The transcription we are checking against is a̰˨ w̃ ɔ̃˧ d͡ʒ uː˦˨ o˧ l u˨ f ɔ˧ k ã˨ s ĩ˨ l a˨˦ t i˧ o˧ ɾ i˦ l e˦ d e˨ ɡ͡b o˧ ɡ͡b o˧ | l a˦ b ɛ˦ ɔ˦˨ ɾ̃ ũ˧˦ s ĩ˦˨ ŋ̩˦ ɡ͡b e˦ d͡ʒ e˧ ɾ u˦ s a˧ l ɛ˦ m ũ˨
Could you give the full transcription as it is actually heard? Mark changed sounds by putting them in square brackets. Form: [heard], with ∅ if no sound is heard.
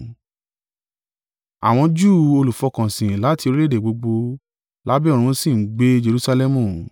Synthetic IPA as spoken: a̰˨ w̃ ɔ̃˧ d͡ʒ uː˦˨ o˧ l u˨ f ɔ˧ k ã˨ s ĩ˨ l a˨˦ t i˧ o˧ ɾ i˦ l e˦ d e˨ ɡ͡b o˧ ɡ͡b o˧ | l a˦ b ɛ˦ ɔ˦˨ ɾ̃ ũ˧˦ s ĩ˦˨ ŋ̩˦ ɡ͡b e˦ d͡ʒ e˧ ɾ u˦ s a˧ l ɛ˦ m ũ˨